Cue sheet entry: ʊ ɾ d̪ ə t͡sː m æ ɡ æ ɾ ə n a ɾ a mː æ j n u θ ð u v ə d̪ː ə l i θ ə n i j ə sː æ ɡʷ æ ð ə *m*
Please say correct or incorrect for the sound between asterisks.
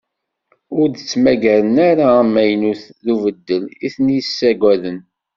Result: incorrect: n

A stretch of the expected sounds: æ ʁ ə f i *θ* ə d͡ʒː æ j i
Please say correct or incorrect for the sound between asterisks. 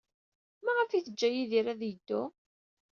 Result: correct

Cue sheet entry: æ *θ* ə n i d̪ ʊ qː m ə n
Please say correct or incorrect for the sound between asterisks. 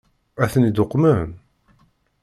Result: correct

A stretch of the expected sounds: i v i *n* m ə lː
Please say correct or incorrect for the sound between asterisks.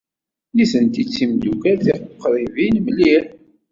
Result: correct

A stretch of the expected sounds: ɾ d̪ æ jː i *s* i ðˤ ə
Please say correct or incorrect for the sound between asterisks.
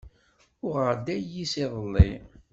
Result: correct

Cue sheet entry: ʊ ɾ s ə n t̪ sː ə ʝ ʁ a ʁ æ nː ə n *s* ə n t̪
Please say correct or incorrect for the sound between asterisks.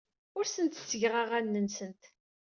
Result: correct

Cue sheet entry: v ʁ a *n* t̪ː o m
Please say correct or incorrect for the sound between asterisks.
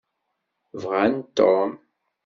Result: correct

